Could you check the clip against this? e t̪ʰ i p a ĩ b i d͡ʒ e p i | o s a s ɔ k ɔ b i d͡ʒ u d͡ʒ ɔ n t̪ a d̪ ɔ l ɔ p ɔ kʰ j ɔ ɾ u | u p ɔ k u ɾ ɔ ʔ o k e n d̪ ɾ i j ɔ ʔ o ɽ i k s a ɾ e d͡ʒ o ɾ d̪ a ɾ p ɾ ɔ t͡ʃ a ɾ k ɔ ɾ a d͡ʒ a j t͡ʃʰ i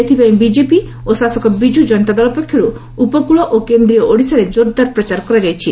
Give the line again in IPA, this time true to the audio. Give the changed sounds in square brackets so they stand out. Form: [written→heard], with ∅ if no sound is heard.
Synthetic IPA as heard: e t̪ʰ i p a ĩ b i d͡ʒ e p i | o s a s ɔ k ɔ b i d͡ʒ u d͡ʒ ɔ n t̪ a d̪ ɔ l ɔ p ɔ kʰ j ɔ ɾ u | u p ɔ k u [ɾ→ɭ] ɔ ʔ o k e n d̪ ɾ i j ɔ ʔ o ɽ i [k→∅] s a ɾ e d͡ʒ o ɾ d̪ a ɾ p ɾ ɔ t͡ʃ a ɾ k ɔ ɾ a d͡ʒ a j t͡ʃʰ i